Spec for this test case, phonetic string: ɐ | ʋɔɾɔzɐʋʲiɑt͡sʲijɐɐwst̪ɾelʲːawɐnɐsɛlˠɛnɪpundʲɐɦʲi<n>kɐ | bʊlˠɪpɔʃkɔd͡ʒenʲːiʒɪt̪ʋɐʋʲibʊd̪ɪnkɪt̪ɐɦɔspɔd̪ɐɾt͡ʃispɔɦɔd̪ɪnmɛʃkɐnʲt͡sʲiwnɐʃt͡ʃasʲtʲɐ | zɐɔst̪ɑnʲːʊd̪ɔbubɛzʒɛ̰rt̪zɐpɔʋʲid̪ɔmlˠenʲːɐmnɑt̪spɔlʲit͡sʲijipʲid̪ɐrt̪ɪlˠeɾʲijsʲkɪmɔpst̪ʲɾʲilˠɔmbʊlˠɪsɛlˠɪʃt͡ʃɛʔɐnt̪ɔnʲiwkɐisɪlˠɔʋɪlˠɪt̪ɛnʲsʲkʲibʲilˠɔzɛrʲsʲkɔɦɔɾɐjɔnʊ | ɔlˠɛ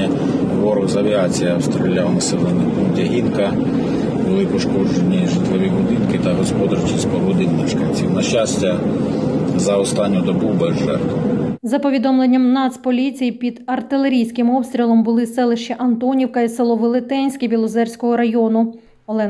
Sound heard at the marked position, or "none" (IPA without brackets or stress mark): n